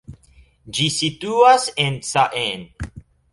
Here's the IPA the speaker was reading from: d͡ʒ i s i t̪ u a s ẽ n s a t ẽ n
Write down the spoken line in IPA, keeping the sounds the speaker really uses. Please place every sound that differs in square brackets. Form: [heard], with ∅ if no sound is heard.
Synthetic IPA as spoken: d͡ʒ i s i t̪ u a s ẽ n s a [ʔ] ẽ n